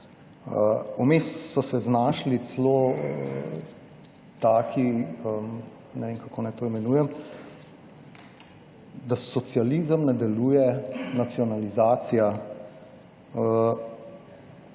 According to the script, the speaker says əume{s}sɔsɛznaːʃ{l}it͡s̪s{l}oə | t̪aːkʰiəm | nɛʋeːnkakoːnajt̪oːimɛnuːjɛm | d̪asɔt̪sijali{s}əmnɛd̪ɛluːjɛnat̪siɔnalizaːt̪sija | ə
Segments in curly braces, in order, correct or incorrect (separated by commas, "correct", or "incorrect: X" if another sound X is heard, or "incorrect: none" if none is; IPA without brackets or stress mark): correct, correct, correct, incorrect: z